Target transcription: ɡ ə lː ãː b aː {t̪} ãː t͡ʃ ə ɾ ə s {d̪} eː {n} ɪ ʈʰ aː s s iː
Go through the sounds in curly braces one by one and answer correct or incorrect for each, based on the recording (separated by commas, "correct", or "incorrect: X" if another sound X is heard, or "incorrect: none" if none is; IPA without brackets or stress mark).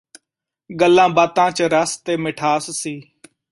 correct, incorrect: t̪, incorrect: m